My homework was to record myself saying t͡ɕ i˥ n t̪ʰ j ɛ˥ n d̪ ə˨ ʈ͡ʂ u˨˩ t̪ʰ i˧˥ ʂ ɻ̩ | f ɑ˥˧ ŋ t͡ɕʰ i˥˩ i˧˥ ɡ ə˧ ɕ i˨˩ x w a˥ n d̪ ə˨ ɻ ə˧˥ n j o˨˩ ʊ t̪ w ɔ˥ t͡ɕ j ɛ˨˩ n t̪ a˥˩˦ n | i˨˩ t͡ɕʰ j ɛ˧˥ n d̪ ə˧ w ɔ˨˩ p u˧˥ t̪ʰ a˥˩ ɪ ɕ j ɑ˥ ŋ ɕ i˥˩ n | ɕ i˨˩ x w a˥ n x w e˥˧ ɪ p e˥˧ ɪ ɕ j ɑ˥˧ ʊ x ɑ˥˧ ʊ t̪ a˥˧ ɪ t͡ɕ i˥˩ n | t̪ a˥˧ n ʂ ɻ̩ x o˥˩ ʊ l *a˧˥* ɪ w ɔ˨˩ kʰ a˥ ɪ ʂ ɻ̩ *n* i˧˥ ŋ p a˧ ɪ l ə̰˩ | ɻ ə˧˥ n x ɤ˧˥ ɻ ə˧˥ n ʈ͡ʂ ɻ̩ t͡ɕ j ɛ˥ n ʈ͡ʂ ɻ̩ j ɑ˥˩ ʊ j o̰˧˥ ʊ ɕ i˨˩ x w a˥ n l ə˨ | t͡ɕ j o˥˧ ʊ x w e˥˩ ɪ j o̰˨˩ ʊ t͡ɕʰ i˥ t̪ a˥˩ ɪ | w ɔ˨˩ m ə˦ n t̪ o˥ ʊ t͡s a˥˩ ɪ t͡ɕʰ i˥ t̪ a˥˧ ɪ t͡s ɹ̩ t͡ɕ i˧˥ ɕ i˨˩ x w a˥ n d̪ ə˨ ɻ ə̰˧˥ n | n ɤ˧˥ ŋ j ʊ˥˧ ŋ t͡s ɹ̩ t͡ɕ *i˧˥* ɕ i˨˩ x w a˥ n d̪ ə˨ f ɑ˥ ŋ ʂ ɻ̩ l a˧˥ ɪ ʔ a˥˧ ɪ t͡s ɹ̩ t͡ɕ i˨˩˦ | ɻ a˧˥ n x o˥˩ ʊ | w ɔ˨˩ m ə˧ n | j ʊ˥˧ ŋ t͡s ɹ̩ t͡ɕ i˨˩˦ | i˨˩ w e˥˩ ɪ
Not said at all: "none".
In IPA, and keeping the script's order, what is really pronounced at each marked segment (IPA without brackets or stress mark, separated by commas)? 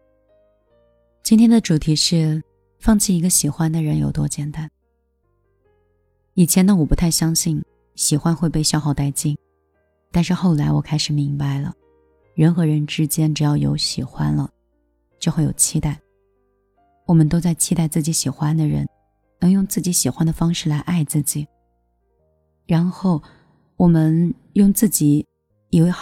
a˧˥, m, i˧˥